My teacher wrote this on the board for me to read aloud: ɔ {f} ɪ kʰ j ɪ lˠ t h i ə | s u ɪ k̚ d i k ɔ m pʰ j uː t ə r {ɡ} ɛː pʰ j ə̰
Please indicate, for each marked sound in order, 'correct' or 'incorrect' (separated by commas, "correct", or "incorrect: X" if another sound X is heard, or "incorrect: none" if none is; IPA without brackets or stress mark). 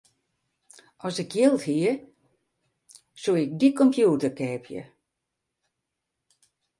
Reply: incorrect: s, incorrect: k